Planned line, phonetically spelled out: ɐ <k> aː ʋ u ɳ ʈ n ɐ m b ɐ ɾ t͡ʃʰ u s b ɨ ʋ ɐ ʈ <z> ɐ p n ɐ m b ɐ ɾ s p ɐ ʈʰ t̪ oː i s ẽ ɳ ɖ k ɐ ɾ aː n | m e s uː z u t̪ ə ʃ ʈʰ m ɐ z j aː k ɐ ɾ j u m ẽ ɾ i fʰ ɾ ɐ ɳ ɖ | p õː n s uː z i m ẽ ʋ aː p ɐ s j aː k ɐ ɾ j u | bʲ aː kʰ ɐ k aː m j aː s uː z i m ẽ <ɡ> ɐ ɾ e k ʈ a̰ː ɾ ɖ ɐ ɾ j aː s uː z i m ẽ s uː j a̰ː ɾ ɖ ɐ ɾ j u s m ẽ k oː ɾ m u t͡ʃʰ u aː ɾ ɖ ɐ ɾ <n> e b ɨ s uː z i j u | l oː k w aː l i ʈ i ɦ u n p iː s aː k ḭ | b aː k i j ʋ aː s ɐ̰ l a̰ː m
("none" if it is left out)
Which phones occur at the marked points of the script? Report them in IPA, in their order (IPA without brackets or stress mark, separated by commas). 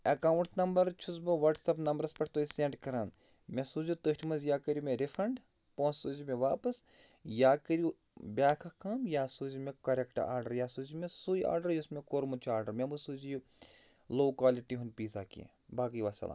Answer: k, s, k, m